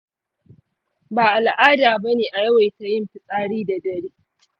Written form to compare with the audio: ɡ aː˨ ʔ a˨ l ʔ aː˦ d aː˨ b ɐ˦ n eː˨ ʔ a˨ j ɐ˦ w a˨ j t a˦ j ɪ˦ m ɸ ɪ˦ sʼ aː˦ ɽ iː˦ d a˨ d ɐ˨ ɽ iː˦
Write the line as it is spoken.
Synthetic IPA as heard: b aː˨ ʔ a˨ l ʔ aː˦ d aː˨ b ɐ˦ n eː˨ ʔ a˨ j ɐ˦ w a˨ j t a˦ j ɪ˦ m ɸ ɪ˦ sʼ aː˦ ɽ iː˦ d a˨ d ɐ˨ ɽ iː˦